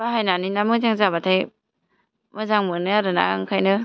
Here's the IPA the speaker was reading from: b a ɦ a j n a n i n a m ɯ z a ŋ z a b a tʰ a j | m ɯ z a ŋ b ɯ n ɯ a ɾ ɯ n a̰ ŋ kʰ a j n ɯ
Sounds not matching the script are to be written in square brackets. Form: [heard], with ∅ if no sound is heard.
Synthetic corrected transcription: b a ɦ a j n a n i n a m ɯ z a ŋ z a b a tʰ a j | m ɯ z a ŋ [m] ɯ n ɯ a ɾ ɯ n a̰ ŋ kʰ a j n ɯ

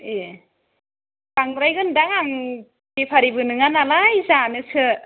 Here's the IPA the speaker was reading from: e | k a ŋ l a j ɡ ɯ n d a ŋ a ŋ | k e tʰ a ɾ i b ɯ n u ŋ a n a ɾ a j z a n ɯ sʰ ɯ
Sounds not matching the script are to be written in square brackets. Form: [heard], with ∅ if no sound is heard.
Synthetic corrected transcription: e | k a ŋ [ɾ] a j ɡ ɯ n d a ŋ a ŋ | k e [pʰ] a ɾ i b ɯ n [ɯ] ŋ a n a [l] a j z a n ɯ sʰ ɯ

